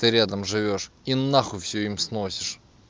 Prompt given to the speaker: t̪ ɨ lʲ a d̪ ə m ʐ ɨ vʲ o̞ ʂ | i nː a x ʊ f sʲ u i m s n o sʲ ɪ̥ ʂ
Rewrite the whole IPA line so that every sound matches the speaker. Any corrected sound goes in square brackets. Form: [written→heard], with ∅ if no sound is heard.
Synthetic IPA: t̪ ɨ [lʲ→ɾʲ] a d̪ ə m ʐ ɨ vʲ o̞ ʂ | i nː a x ʊ f sʲ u i m s n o sʲ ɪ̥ ʂ